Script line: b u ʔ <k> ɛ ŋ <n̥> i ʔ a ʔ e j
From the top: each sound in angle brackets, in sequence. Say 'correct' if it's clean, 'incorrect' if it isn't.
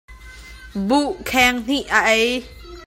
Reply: incorrect: kʰ, correct

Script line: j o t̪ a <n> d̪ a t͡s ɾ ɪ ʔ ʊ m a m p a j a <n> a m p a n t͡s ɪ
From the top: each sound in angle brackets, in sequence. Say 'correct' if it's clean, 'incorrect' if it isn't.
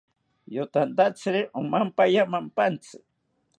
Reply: correct, incorrect: m

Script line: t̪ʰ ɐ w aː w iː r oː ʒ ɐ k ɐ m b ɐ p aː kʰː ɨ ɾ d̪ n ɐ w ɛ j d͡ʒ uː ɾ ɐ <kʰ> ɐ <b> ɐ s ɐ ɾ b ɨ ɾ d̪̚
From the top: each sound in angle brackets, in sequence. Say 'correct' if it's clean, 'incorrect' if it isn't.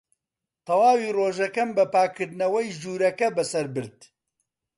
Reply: incorrect: k, correct

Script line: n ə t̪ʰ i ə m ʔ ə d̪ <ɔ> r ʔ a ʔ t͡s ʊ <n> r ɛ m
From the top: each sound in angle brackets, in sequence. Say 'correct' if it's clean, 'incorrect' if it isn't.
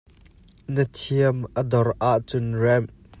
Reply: correct, correct

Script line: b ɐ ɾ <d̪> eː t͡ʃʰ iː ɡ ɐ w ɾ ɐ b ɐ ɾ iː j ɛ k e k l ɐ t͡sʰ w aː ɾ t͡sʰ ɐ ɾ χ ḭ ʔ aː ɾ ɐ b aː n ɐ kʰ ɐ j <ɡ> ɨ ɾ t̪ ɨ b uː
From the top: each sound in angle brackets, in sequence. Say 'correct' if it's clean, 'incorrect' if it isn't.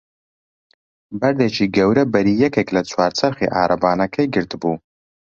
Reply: correct, correct

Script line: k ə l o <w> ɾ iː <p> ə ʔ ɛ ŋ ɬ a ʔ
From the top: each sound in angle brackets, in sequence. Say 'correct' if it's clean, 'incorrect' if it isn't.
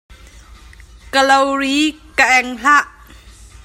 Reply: correct, incorrect: k

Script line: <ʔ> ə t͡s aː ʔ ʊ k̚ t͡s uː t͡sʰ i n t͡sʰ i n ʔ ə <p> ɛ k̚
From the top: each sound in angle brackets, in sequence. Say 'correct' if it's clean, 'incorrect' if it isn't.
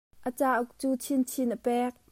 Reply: correct, correct

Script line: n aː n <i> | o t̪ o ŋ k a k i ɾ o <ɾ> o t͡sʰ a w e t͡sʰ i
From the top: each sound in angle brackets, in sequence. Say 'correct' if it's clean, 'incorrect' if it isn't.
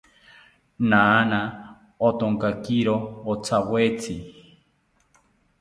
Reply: incorrect: a, incorrect: none

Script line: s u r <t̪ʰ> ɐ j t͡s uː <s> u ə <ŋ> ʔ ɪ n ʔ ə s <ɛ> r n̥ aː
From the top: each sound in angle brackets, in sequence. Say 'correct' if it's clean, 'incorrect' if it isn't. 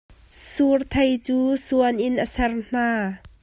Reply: correct, correct, incorrect: n, correct

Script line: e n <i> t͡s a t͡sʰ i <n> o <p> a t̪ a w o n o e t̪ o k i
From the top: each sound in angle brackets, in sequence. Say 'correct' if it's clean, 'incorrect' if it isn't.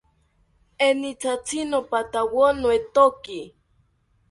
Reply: correct, correct, correct

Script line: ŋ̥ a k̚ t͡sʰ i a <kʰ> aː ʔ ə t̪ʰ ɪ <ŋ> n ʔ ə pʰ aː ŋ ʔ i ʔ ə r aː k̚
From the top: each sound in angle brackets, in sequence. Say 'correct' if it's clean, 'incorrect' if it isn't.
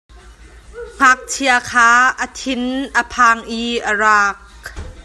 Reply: correct, incorrect: none

